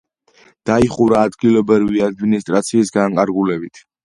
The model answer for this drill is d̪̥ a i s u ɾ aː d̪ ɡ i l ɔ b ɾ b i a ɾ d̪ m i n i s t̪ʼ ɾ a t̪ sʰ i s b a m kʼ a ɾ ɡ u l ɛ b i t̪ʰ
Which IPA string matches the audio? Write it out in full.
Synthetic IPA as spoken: d̪̥ a i χ u ɾ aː d̪ ɡ i l ɔ b ɾ v i a d̪ m i n i s t̪ʼ ɾ a t̪ sʰ iː s ɡ a ŋ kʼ a ɾ ɡ u l ɛ b i t̪ʰ